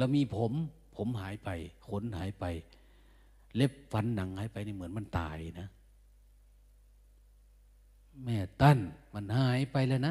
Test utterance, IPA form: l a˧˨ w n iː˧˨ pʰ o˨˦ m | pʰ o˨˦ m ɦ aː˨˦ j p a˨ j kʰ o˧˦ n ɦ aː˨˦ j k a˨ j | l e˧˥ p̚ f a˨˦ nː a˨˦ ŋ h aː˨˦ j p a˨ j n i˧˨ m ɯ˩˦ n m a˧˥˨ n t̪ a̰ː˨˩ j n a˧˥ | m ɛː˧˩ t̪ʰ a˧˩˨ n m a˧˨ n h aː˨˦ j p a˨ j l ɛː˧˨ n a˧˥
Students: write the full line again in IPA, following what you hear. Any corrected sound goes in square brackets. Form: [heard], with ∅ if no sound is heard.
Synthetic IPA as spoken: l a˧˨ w [m] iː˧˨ pʰ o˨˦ m | pʰ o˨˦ m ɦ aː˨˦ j p a˨ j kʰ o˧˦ n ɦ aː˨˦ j [p] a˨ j | l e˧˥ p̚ f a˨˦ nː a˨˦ ŋ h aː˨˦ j p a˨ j n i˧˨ m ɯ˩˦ n m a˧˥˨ n t̪ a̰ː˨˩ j n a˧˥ | m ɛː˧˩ [t̪] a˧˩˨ n m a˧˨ n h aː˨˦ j p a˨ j l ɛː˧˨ n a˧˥